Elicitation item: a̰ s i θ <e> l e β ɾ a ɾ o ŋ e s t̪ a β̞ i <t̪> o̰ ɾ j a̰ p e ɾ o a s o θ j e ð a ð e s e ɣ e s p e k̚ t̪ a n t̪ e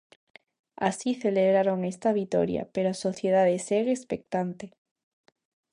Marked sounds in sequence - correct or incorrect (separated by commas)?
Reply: correct, correct